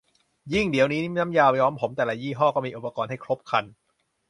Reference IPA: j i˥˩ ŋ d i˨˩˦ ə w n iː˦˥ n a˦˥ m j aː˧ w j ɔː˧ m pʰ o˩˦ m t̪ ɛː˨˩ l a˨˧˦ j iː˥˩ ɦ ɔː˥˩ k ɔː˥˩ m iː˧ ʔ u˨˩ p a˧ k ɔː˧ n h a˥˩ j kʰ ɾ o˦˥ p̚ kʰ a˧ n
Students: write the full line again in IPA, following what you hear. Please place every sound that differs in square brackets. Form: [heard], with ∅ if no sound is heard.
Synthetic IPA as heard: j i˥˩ ŋ d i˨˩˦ ə w n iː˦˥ n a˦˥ m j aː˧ w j [ɔː˦˥] m pʰ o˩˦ m t̪ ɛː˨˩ l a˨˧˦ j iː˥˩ ɦ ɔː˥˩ k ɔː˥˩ m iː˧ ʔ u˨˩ p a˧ k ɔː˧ n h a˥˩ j kʰ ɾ o˦˥ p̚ kʰ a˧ n